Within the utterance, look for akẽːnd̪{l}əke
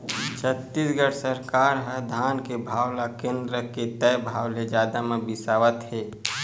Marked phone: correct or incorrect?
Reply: incorrect